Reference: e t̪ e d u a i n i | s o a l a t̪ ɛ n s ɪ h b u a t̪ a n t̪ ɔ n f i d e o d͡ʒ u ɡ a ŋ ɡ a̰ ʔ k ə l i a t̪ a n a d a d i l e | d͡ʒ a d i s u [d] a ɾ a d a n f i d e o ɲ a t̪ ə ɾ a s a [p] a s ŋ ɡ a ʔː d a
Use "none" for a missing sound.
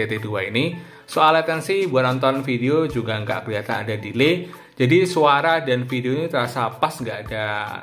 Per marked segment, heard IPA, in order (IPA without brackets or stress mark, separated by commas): none, p